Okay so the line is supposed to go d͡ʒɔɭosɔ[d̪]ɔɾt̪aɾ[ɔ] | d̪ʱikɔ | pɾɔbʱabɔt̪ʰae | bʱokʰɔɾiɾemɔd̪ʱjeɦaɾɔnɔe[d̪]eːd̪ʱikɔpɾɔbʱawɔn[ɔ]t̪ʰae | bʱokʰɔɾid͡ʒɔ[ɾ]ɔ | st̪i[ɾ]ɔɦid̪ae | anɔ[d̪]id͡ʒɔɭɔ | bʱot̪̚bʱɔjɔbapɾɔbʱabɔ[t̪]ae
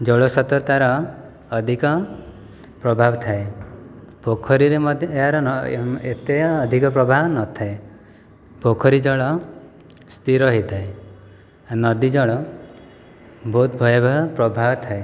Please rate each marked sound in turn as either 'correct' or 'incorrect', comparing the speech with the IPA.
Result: incorrect: t̪, incorrect: ɔː, incorrect: t̪, correct, incorrect: ɭ, correct, correct, incorrect: t̪ʰ

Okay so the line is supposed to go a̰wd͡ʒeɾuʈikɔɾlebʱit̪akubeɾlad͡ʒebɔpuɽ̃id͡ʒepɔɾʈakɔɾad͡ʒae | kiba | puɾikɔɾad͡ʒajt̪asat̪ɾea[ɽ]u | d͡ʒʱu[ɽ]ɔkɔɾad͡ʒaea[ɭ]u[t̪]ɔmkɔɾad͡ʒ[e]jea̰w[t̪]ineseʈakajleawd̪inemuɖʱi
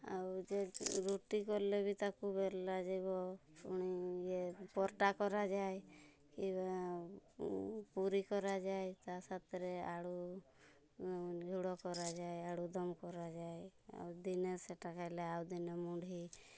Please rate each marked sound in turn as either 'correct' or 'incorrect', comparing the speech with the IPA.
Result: correct, correct, incorrect: ɽ, incorrect: d̪, incorrect: a, incorrect: d̪

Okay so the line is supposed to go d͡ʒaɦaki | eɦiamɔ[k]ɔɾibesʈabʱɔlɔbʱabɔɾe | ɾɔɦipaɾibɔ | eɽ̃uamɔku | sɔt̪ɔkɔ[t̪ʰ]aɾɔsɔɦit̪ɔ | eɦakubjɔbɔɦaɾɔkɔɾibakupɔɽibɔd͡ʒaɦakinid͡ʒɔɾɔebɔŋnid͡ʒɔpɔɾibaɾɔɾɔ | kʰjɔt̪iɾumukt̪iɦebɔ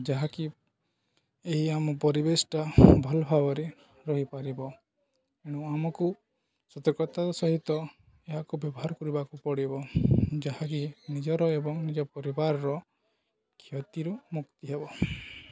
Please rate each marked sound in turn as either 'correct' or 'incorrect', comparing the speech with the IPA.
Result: incorrect: p, incorrect: t̪

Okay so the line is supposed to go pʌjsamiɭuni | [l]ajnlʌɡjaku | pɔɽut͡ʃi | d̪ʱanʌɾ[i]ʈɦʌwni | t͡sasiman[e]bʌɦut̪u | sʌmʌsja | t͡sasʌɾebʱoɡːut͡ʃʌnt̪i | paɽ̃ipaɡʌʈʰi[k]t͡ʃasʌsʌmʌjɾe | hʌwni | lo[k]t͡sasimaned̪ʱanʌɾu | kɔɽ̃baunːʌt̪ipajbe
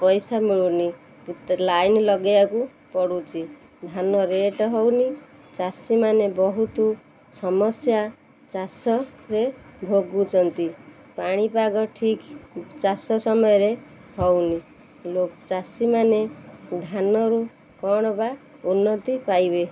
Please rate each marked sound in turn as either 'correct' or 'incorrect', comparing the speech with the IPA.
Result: correct, incorrect: e, correct, correct, correct

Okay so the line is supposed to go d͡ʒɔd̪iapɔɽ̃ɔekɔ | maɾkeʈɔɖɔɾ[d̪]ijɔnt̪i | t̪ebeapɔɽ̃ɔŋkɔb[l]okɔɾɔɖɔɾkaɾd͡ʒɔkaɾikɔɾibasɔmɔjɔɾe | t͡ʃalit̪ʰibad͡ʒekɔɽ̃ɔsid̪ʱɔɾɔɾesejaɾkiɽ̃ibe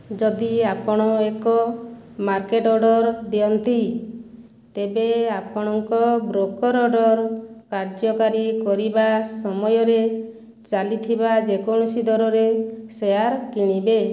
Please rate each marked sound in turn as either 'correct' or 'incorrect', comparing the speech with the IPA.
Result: correct, incorrect: ɾ

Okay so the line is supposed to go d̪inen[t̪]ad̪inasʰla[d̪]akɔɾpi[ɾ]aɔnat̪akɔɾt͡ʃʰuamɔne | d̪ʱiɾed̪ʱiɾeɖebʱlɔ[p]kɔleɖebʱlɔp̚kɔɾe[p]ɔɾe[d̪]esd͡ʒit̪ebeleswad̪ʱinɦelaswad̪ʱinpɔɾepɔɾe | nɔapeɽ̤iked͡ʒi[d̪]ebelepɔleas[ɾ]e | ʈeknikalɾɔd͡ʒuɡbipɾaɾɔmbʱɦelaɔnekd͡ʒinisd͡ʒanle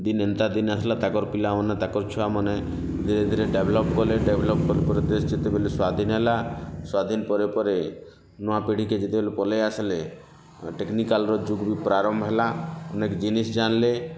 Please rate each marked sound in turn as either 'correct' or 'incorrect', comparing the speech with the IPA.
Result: correct, incorrect: t̪, incorrect: l, correct, correct, correct, incorrect: t̪, incorrect: l

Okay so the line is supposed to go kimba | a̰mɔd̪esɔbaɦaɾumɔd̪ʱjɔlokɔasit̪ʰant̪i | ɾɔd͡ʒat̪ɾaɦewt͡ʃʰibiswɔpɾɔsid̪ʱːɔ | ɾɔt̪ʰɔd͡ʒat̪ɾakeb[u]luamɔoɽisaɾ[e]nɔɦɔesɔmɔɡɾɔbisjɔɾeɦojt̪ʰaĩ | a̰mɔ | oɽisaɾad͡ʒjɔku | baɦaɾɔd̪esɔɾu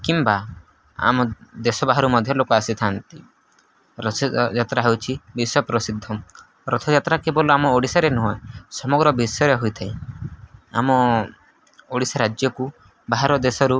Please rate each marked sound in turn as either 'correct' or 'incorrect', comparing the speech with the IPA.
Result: incorrect: ɔ, correct

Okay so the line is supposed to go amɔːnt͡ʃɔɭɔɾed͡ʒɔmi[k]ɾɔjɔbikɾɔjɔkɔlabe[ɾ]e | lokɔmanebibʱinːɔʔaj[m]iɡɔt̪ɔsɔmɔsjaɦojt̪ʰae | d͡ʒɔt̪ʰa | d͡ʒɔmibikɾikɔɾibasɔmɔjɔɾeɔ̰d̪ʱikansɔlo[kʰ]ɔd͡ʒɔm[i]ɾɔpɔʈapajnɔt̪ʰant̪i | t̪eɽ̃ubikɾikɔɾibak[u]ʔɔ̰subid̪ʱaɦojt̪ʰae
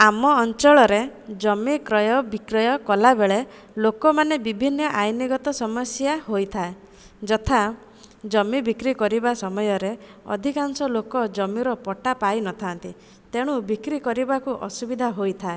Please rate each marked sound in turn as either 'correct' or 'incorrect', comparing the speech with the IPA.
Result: correct, incorrect: ɭ, incorrect: n, incorrect: k, correct, correct

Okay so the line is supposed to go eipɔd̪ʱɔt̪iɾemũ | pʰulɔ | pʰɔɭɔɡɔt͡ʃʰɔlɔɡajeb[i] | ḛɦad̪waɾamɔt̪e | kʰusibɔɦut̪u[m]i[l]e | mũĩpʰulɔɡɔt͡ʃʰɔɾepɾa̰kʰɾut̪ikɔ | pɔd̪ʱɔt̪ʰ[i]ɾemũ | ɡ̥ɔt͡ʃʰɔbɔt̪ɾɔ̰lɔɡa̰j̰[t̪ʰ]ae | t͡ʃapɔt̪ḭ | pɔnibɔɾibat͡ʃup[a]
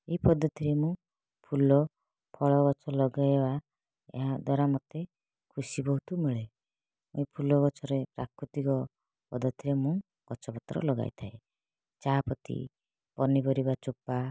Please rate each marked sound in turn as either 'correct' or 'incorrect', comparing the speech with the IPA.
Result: incorrect: a, correct, incorrect: ɭ, correct, correct, correct

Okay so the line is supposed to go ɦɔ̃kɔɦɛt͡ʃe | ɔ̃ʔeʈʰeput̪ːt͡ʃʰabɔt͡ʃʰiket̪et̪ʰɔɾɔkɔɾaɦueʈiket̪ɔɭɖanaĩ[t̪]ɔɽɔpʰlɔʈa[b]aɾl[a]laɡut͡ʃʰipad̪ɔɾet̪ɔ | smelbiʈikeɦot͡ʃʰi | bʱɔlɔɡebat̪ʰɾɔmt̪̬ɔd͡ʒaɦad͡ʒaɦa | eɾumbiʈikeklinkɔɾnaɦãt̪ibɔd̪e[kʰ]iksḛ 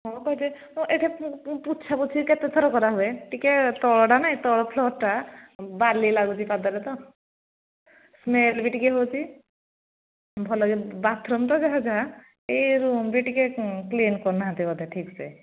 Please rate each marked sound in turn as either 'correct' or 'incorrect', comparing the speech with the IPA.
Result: correct, correct, incorrect: i, incorrect: ʈʰ

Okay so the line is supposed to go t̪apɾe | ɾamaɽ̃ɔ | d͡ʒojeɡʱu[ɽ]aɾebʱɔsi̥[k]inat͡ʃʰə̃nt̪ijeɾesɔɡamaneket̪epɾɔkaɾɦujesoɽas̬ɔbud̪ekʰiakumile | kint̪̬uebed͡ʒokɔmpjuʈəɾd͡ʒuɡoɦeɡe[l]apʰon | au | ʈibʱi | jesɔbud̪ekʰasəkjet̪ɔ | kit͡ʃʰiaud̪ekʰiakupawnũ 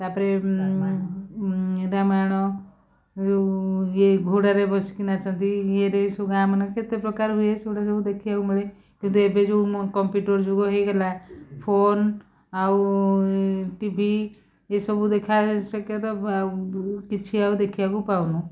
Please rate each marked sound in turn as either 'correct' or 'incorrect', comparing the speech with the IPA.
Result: correct, correct, correct

